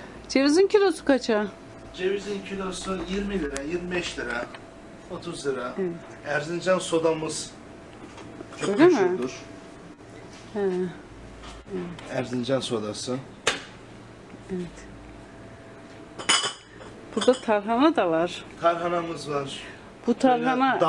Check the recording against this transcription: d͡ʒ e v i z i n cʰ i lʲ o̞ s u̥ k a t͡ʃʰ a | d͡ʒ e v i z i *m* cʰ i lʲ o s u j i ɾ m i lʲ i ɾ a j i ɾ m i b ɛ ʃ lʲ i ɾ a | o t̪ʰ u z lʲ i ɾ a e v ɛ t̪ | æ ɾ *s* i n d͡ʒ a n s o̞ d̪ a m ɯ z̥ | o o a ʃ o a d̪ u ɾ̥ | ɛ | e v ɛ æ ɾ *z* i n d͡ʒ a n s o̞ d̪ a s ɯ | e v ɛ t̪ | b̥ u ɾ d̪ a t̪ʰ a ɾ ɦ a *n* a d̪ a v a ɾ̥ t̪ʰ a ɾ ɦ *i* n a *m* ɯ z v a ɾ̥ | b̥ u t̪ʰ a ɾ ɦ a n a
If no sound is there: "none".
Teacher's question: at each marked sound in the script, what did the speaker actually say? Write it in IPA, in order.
n, z, z, n, a, m

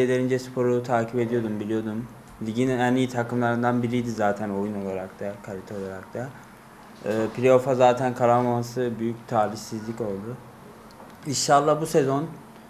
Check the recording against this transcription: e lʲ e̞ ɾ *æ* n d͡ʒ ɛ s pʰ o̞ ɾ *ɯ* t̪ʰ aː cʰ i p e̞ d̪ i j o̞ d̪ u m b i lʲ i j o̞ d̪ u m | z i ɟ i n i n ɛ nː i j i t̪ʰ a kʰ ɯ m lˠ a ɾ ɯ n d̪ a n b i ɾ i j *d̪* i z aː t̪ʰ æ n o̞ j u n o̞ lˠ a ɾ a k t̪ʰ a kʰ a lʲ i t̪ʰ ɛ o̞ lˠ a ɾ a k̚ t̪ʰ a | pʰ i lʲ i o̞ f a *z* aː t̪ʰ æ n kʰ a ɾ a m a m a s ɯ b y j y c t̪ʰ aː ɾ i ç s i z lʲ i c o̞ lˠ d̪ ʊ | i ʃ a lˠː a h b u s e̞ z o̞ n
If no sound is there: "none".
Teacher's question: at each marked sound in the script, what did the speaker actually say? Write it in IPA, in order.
i, u, d̪, z

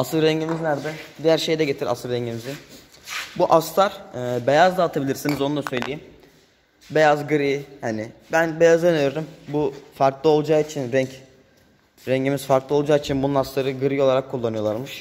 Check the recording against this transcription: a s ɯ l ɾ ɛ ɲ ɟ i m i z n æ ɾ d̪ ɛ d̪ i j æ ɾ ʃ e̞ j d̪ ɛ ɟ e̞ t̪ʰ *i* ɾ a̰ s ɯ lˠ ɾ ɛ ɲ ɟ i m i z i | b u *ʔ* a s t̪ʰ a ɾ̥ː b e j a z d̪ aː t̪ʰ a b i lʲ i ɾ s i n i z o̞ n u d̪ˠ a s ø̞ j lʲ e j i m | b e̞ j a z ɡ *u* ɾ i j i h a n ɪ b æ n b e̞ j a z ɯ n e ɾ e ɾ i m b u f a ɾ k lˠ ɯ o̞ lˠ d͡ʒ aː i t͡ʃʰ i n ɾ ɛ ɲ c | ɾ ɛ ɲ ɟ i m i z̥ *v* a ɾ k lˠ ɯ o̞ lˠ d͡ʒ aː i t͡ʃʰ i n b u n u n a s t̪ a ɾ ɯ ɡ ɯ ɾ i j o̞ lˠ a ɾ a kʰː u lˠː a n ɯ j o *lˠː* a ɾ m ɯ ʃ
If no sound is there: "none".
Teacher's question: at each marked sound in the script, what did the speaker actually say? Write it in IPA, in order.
i, ʔ, ɯ, f, lˠ

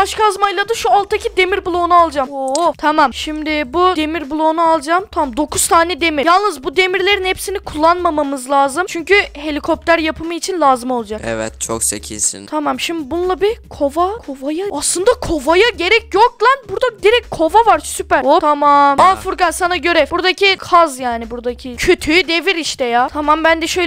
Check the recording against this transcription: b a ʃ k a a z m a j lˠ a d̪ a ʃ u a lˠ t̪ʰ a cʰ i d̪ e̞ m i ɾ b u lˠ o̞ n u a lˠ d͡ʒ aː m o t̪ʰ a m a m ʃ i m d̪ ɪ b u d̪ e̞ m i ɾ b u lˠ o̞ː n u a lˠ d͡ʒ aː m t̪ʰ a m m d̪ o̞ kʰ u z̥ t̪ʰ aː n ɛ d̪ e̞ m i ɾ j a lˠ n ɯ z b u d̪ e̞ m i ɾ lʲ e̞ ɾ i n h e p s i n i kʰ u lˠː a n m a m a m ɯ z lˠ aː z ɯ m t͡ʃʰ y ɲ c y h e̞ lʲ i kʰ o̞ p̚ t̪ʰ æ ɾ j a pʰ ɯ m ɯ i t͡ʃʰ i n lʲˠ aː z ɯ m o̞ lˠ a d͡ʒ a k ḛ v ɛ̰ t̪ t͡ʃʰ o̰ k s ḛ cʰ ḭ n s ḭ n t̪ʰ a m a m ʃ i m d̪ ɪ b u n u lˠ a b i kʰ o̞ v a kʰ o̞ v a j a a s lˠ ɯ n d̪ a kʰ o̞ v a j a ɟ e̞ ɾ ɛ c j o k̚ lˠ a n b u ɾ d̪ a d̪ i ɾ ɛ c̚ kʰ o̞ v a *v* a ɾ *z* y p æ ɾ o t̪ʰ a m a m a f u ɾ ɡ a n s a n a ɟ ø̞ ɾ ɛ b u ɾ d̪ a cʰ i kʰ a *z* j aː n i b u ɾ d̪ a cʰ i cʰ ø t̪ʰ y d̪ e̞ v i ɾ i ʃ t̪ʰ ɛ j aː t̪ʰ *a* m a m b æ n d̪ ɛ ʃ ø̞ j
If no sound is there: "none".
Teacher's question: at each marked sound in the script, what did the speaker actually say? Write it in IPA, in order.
v, s, z, a

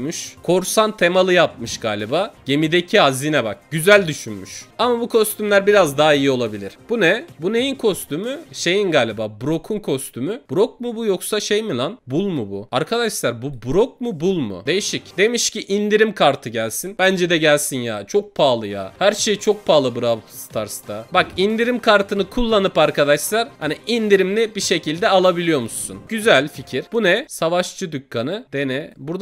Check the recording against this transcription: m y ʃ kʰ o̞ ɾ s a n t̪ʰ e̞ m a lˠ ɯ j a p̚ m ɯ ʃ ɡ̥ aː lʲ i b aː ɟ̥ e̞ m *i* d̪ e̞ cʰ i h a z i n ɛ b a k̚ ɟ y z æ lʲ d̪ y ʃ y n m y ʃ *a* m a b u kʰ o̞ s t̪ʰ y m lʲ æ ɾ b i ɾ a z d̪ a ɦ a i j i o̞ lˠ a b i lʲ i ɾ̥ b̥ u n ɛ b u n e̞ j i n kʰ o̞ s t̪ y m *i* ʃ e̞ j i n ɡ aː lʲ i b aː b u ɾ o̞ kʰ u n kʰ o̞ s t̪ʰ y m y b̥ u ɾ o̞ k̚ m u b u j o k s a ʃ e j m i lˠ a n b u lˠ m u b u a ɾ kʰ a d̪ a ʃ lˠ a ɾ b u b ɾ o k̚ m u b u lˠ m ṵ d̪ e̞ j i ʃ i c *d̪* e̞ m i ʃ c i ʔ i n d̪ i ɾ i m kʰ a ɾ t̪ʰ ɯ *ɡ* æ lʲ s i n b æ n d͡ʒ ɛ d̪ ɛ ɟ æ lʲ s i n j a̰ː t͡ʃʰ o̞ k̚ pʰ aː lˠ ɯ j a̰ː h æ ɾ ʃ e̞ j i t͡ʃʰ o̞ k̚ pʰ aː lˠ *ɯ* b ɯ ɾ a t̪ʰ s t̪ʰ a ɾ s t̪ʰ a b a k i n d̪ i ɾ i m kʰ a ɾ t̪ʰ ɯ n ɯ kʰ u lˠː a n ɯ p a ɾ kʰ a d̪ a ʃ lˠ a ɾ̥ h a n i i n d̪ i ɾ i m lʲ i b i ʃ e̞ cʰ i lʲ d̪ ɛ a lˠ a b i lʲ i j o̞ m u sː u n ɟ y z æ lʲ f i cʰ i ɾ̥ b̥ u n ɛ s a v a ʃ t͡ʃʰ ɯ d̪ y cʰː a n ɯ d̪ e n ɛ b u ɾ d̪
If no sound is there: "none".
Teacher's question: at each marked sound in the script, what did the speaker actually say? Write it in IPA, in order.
i, a, y, d̪, ɟ, ɯ

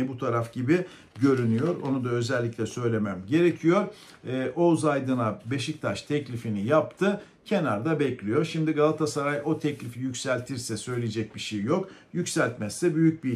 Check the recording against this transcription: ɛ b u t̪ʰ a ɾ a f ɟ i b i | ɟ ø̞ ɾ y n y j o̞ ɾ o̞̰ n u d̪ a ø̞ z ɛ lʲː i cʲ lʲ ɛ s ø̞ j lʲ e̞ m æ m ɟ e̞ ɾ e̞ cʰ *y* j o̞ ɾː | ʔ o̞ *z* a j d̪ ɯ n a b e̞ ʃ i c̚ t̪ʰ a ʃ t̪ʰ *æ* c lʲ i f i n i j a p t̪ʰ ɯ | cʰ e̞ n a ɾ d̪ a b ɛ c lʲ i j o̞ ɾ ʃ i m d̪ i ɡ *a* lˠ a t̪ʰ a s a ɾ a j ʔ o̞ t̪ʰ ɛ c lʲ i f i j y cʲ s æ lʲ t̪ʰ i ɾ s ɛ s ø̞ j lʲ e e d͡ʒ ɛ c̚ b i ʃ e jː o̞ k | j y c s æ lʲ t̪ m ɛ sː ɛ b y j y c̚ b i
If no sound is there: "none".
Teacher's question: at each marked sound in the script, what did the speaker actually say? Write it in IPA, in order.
i, z, ɛ, a

